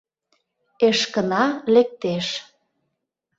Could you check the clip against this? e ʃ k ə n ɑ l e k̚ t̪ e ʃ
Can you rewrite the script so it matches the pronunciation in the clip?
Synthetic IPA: e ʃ k ə n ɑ l e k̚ t̪ e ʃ